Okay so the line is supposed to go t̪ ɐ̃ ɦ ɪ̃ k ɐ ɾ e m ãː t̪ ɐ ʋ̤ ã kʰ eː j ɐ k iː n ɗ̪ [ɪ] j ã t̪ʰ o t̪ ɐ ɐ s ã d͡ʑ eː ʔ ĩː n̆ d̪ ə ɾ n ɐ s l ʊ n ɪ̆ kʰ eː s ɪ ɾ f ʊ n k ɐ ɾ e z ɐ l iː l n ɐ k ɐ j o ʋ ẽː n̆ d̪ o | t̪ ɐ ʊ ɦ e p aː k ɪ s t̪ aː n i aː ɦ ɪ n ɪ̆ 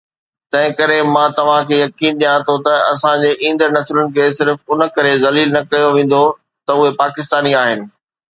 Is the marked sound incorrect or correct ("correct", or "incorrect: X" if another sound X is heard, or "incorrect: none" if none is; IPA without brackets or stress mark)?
incorrect: i